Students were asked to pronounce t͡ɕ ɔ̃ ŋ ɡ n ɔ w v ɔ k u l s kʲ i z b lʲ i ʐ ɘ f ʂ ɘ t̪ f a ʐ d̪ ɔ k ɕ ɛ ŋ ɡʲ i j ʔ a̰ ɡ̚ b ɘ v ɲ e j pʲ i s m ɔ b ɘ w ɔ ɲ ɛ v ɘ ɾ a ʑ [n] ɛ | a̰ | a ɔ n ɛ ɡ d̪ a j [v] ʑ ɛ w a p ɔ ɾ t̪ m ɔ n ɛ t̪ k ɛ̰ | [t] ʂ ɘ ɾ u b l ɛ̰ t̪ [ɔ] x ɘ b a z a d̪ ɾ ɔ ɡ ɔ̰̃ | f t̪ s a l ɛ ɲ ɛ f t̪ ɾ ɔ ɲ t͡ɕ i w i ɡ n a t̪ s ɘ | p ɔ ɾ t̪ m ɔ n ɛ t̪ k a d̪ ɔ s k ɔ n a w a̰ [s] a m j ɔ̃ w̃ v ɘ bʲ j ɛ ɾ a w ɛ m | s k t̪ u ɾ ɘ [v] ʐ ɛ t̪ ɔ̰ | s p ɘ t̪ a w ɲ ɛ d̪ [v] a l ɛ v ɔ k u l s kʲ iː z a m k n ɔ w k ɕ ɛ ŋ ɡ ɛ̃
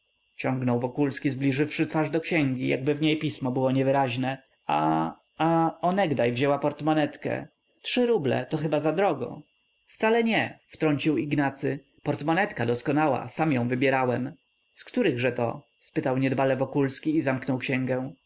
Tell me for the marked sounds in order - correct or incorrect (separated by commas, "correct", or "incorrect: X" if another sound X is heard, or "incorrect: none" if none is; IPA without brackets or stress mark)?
correct, correct, correct, correct, correct, incorrect: ɣ, incorrect: b